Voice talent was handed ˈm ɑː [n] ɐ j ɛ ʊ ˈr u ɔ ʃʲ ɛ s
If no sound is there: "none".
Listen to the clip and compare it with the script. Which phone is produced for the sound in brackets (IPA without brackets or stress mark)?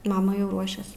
m